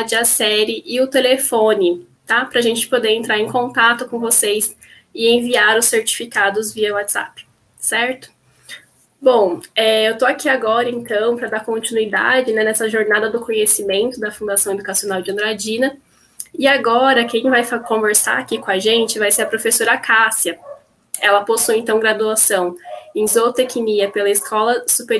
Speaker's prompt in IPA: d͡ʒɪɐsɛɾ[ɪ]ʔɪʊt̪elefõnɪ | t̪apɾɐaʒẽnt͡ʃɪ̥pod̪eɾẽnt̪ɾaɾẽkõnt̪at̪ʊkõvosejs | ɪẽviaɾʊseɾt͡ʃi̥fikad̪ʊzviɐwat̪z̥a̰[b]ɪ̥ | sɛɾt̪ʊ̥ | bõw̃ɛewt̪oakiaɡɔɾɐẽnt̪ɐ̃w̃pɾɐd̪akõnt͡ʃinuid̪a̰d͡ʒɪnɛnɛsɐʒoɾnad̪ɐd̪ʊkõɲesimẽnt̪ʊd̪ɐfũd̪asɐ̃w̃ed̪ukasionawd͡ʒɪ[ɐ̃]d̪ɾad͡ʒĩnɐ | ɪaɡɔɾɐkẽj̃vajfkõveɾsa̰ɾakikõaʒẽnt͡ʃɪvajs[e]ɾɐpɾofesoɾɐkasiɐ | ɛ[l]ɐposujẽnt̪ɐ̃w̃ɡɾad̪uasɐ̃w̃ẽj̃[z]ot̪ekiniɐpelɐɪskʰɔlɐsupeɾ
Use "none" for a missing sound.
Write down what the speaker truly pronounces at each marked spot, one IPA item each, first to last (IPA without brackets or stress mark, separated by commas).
ɪ, p, ɐ̃, e, l, z